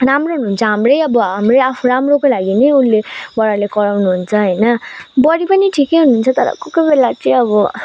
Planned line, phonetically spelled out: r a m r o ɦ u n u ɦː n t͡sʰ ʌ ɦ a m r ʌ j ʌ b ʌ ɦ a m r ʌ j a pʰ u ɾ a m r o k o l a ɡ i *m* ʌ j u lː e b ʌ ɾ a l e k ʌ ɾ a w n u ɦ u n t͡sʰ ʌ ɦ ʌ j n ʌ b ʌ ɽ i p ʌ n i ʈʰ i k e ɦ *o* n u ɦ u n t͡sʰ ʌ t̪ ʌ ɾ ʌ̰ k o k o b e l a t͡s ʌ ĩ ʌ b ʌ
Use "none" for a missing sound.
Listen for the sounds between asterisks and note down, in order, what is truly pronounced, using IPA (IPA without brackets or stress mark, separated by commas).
n, u